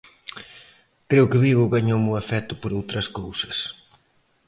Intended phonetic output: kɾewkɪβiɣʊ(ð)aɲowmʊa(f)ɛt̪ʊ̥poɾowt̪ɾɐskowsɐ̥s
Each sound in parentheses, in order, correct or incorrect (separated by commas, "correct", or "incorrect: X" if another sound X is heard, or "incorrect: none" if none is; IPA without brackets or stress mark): incorrect: ɣ, correct